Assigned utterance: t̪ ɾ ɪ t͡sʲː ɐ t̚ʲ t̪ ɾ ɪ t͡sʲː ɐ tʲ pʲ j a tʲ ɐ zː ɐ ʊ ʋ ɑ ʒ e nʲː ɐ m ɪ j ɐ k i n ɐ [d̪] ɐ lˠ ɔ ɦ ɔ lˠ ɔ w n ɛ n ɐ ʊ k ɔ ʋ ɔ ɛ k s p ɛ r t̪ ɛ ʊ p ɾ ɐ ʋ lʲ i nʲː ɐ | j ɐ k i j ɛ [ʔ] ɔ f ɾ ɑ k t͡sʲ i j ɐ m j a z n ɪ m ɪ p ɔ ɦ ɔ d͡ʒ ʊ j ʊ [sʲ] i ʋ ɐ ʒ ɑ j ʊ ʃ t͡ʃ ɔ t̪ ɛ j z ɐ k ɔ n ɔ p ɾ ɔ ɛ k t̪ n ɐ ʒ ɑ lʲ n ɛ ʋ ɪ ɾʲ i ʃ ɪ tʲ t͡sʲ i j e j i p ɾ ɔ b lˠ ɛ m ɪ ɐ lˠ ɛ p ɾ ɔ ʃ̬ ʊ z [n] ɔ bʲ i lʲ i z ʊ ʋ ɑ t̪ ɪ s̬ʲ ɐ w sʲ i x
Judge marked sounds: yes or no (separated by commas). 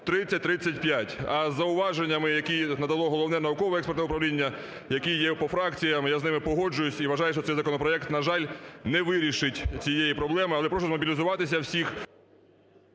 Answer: yes, no, yes, no